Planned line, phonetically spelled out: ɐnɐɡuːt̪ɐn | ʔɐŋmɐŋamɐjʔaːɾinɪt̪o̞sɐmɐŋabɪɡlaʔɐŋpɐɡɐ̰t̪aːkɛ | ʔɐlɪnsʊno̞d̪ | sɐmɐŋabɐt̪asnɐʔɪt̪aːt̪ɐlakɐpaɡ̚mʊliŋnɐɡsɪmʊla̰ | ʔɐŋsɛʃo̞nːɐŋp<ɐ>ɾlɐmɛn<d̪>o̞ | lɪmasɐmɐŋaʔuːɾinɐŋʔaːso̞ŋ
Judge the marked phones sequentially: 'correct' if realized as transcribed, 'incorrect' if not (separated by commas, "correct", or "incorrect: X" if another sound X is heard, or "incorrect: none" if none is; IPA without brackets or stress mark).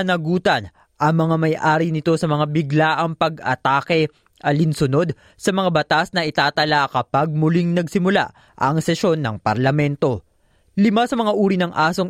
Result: correct, incorrect: t̪